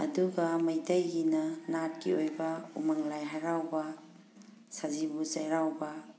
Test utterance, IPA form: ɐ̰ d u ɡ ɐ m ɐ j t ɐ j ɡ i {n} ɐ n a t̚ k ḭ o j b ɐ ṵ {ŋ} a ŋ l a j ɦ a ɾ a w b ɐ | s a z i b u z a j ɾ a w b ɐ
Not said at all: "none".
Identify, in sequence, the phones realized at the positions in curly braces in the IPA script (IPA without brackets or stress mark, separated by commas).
n, m